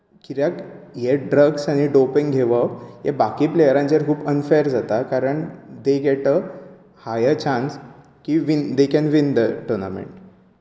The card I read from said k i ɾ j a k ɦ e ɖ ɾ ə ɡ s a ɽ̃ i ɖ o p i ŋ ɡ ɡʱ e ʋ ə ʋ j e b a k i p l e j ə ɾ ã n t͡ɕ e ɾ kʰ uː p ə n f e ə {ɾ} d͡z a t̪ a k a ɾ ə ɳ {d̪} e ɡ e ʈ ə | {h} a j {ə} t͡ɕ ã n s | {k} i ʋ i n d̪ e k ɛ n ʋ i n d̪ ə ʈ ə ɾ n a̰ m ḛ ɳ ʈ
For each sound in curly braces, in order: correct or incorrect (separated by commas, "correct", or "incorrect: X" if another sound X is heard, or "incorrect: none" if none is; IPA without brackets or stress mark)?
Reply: correct, correct, correct, correct, correct